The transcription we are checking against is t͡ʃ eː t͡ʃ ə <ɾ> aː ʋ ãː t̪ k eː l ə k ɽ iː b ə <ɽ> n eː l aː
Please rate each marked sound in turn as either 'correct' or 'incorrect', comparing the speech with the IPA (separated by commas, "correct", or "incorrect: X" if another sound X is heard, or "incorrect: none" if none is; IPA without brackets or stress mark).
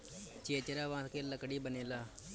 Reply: correct, incorrect: none